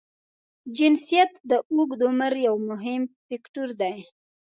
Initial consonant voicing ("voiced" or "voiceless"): voiced